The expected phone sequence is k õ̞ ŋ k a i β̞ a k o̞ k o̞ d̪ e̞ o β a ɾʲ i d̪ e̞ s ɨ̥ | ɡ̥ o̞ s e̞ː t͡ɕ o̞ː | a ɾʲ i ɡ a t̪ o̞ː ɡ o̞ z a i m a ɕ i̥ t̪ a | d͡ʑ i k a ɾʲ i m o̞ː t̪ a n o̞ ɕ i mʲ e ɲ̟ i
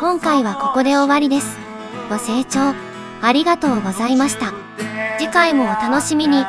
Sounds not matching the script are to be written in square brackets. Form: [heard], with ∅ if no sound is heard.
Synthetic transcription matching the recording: k õ̞ ŋ k a i β̞ a k o̞ k o̞ d̪ e̞ o β a ɾʲ i d̪ e̞ s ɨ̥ | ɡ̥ o̞ s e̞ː t͡ɕ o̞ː | a ɾʲ i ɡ a t̪ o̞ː ɡ o̞ z a i m a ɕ i̥ t̪ a | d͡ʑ i k a [∅] i m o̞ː t̪ a n o̞ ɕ i mʲ [i] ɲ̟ i